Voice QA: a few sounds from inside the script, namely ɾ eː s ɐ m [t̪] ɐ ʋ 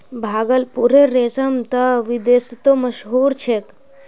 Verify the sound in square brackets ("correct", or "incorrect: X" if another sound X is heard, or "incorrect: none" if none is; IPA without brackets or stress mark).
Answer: correct